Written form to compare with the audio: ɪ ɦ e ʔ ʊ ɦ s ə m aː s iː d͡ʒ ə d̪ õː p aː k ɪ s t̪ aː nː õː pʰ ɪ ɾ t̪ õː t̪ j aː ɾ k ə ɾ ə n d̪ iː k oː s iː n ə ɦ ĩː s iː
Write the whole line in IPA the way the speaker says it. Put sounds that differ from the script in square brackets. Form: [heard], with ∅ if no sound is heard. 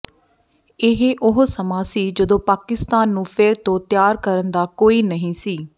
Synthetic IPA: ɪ ɦ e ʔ ʊ ɦ s ə m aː s iː d͡ʒ ə d̪ õː p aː k ɪ s t̪ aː nː [ũː] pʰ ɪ ɾ t̪ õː t̪ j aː ɾ k ə ɾ ə n d̪ [aː] k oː [∅] iː n ə ɦ ĩː s iː

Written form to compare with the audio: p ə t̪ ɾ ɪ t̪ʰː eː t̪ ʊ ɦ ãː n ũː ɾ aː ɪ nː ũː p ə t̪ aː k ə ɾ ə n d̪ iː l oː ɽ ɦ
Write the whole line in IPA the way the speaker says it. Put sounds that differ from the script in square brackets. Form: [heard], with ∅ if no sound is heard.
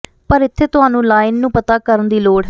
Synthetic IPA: p ə [∅] ɾ ɪ t̪ʰː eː t̪ ʊ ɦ [aː] n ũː [l] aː ɪ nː ũː p ə t̪ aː k ə ɾ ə n d̪ iː l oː ɽ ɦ

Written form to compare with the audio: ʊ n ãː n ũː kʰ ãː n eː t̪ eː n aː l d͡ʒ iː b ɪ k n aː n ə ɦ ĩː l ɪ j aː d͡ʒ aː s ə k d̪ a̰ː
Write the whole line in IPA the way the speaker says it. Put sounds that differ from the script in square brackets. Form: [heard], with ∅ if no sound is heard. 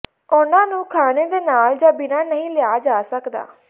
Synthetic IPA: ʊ n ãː n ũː kʰ [aː] n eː [d̪] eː n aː l d͡ʒ [aː] b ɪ [∅] n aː n ə ɦ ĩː l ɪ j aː d͡ʒ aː s ə k d̪ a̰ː

